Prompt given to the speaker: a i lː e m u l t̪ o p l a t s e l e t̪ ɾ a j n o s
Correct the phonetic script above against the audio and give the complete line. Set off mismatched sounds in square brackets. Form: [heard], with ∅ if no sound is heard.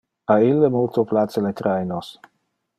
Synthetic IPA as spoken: a i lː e m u l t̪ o p l a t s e l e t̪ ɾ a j n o s